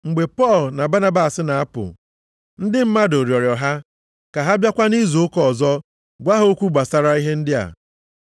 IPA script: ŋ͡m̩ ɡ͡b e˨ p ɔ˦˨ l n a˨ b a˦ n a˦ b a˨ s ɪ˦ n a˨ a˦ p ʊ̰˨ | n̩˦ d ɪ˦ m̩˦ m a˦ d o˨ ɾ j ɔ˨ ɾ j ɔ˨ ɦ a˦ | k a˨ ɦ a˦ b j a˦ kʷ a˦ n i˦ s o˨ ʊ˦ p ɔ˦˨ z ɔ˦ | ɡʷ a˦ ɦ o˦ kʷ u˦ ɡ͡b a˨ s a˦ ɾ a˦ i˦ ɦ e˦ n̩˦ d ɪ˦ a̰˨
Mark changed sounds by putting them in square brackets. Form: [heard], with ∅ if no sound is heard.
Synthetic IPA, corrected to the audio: ŋ͡m̩ ɡ͡b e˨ p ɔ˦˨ l n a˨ b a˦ n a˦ b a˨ s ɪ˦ n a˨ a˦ p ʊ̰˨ | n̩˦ d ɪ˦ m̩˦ m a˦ d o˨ ɾ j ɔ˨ ɾ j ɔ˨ ɦ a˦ | k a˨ ɦ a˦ b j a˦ kʷ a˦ n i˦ [z] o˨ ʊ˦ [k] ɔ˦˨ z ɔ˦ | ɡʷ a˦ ɦ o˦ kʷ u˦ ɡ͡b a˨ s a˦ ɾ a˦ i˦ ɦ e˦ n̩˦ d ɪ˦ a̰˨